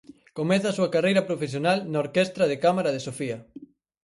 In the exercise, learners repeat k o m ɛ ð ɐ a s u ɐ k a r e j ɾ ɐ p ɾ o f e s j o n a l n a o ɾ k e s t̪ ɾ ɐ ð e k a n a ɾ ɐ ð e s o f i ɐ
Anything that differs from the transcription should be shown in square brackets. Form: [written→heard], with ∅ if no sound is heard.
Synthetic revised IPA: k o m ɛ [ð→θ] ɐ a s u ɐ k a r e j ɾ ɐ p ɾ o f e s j o n a l n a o ɾ k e s t̪ ɾ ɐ ð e k a [n→m] a ɾ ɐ ð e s o f i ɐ